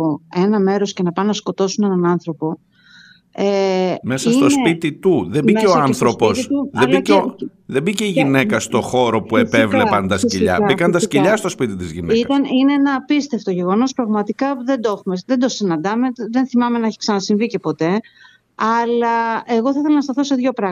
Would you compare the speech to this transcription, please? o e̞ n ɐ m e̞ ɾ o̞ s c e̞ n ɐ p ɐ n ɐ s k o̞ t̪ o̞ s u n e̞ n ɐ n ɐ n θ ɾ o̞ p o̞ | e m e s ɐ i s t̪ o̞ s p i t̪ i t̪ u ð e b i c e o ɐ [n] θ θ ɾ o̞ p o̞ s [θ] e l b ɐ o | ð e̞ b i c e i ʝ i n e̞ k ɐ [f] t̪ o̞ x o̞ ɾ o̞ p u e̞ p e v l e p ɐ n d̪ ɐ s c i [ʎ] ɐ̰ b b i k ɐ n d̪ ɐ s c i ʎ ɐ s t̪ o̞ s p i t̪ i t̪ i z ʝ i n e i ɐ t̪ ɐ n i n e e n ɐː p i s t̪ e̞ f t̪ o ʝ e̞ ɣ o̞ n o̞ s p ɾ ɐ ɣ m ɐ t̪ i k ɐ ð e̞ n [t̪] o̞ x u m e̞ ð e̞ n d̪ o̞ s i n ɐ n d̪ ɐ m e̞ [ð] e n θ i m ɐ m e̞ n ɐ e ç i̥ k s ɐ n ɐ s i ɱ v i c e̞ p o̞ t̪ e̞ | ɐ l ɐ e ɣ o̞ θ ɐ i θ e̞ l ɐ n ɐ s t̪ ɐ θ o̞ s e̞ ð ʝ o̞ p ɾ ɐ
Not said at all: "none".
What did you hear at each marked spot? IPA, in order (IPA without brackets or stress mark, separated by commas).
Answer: n, ð, s, ʎ, d̪, ð